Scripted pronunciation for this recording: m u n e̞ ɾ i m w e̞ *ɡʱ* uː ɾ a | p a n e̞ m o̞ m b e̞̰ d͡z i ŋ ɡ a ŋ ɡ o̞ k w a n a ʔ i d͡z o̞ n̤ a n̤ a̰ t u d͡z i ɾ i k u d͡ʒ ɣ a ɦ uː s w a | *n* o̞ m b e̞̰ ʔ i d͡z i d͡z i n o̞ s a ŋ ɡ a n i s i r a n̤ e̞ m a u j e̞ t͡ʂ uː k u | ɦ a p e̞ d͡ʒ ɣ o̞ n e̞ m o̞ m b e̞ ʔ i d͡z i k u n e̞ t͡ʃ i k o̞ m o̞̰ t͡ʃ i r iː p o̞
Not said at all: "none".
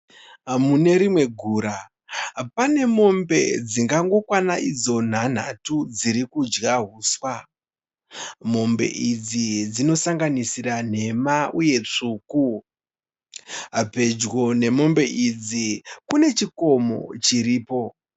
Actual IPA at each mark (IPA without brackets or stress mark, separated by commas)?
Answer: ɡʱ, m